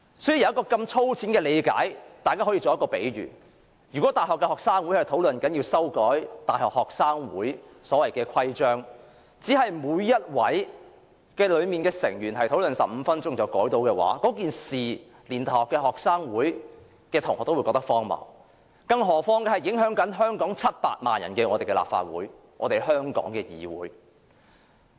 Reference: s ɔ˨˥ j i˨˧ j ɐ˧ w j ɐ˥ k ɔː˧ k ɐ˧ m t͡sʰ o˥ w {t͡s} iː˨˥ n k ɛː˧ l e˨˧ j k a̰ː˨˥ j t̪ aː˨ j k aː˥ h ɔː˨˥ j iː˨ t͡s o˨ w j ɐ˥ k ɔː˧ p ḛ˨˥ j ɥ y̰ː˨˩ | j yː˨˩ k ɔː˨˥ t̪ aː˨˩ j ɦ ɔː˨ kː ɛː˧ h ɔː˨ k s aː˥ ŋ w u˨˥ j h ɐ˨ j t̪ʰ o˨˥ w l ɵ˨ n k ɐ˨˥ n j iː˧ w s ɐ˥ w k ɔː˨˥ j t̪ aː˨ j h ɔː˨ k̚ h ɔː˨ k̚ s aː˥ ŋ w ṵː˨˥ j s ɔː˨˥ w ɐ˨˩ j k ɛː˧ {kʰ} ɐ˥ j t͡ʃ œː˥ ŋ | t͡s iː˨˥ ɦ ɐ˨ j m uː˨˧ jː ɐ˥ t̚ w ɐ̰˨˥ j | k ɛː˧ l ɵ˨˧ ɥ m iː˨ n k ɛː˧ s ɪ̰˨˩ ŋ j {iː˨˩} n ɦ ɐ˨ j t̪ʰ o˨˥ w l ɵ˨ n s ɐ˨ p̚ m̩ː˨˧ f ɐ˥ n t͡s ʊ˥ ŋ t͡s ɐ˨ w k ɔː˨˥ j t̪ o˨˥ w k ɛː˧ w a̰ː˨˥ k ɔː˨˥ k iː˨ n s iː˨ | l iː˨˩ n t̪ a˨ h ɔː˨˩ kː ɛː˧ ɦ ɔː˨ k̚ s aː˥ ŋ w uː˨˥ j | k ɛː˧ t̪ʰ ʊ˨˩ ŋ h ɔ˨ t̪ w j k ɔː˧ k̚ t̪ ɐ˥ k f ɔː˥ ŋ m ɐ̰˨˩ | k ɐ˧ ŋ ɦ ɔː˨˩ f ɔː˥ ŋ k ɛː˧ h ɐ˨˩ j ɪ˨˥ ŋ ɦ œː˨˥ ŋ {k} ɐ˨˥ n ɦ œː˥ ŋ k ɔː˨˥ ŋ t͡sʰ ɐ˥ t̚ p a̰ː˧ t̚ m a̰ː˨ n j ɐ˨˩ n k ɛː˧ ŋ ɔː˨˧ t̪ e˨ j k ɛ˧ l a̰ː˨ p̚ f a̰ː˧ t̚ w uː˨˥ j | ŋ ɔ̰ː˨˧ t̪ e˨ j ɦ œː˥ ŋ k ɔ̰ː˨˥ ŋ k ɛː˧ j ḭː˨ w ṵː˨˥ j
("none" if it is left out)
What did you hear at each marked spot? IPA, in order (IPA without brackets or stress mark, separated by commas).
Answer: t͡sʰ, kʰ, yː˨˩, k